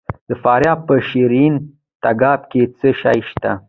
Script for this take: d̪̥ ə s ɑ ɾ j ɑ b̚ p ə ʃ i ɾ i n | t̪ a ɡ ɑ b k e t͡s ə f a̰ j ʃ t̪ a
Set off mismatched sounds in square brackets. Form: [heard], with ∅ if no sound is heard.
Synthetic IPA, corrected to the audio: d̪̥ ə [f] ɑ ɾ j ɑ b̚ p ə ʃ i ɾ i n | t̪ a ɡ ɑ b k e t͡s ə [ʃ] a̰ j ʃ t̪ a